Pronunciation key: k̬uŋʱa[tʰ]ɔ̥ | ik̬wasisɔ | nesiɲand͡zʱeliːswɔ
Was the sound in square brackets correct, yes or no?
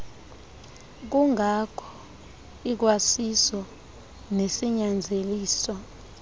no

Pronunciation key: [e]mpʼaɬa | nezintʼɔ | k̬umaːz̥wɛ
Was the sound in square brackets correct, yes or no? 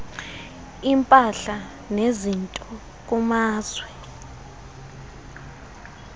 no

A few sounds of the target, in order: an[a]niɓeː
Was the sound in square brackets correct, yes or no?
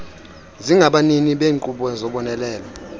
no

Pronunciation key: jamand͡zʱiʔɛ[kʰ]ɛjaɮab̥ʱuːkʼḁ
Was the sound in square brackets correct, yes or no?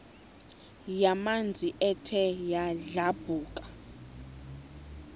no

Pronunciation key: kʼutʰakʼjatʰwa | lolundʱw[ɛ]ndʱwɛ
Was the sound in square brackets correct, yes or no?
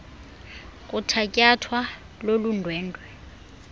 no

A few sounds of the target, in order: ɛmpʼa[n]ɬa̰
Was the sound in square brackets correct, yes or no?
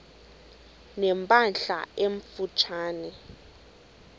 yes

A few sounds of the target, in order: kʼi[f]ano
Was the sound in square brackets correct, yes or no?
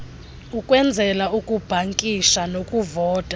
no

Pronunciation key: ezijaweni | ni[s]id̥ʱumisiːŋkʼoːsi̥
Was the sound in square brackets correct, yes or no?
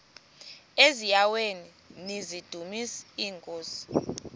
no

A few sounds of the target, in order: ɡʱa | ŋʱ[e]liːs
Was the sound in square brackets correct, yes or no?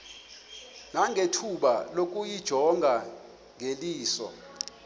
yes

